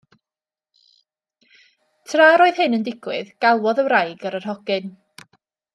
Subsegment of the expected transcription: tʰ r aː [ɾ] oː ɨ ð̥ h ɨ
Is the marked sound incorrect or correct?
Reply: correct